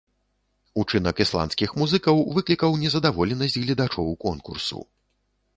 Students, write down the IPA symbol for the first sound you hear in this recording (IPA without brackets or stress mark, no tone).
u